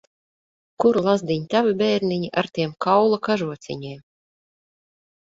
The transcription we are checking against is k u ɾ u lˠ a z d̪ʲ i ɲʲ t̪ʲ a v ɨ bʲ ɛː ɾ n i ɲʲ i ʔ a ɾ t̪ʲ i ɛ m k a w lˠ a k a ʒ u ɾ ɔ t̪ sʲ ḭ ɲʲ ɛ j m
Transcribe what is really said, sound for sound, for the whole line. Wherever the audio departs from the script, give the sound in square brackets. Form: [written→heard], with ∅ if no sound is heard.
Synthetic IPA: k u ɾ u lˠ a z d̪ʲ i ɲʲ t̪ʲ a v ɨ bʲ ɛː ɾ n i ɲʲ i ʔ a ɾ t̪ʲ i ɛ m k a w lˠ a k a ʒ u [ɾ→∅] ɔ t̪ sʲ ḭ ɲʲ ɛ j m